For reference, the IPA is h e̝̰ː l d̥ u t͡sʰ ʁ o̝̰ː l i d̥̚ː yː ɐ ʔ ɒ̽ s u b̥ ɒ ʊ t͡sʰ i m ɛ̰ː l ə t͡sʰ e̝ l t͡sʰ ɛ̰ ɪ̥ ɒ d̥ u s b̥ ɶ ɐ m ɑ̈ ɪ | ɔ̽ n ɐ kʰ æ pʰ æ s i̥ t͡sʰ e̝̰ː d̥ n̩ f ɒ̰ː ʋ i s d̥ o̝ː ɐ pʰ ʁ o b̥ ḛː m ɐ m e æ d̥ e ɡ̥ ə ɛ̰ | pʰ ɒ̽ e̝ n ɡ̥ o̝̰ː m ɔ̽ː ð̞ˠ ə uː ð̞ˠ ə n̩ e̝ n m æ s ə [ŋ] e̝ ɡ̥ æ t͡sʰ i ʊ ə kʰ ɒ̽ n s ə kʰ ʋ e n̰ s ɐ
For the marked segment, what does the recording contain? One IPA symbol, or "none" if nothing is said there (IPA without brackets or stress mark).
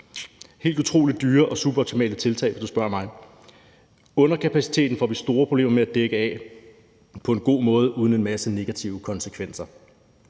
n